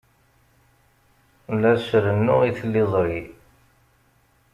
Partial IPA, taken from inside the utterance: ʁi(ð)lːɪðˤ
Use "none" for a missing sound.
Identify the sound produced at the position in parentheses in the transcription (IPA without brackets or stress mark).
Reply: θ